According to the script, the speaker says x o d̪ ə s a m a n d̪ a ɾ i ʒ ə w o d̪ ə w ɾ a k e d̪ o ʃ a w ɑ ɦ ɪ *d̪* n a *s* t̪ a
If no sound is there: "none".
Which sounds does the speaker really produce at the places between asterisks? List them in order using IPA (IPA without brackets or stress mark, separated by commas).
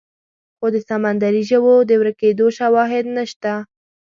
d̪, ʃ